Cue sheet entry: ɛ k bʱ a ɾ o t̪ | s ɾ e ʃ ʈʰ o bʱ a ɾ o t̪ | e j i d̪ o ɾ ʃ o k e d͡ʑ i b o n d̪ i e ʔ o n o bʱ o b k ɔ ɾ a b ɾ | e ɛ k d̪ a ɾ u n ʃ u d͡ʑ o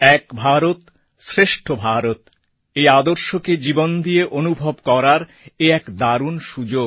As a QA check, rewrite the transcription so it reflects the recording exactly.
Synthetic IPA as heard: ɛ k bʱ a ɾ o t̪ | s ɾ e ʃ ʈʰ o bʱ a ɾ o t̪ | e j a d̪ o ɾ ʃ o k e d͡ʑ i b o n d̪ i e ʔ o n u bʱ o b k ɔ ɾ a ɾ | e ɛ k d̪ a ɾ u n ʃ u d͡ʑ o